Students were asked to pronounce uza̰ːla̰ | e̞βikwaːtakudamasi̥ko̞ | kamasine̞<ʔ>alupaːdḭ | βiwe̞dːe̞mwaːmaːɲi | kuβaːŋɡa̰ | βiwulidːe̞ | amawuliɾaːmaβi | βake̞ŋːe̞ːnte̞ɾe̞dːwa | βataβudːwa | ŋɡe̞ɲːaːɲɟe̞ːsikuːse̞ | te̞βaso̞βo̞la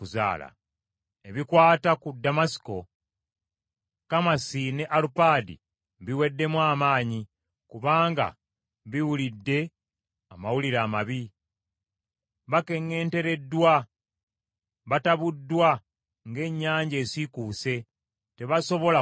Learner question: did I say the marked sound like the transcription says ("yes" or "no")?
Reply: yes